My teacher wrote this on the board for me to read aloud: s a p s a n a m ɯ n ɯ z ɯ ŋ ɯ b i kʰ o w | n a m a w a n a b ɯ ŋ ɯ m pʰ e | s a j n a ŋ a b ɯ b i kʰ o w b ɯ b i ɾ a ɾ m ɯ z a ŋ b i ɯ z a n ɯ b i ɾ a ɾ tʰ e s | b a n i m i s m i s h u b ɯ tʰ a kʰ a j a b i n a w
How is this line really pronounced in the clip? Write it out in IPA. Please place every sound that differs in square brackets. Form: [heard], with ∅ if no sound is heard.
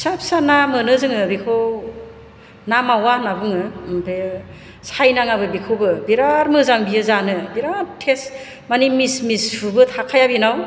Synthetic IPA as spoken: s a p s a n a m ɯ n ɯ z ɯ ŋ ɯ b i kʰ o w | n a m a w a n a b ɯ ŋ ɯ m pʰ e | s a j n a ŋ a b ɯ b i kʰ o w b ɯ b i ɾ a ɾ m ɯ z a ŋ b i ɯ z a n ɯ b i ɾ a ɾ tʰ e s | [m] a n i m i s m i s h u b ɯ tʰ a kʰ a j a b i n a w